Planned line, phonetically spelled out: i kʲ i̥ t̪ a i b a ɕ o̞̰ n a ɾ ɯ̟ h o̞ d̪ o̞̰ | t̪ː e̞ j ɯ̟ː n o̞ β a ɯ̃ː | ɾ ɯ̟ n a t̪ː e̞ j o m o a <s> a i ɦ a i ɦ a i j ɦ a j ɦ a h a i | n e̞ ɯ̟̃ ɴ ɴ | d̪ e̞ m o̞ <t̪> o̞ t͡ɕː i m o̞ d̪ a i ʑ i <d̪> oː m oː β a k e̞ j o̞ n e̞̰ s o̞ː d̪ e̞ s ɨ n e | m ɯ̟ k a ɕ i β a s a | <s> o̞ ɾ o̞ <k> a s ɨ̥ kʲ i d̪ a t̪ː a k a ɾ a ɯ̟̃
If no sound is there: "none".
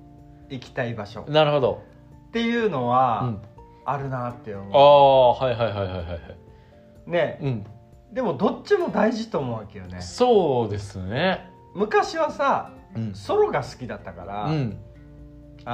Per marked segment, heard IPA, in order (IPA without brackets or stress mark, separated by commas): h, d̪, t̪, s, ɡ